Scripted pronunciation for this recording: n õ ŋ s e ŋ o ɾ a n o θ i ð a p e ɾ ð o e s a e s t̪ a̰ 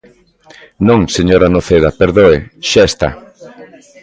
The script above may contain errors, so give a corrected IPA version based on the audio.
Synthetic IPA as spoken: n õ ŋ s e ɲ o ɾ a n o θ e ð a p e ɾ ð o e ʃ a e s t̪ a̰